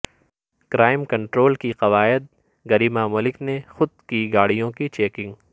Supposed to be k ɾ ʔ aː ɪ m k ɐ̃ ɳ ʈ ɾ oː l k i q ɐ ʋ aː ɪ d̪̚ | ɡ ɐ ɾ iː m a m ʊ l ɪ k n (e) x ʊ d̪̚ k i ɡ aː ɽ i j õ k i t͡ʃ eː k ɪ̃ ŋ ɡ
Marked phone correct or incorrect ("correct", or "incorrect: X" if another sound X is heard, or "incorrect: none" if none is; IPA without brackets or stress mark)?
correct